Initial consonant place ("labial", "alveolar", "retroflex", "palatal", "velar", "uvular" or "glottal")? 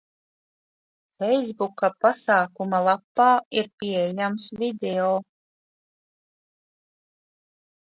labial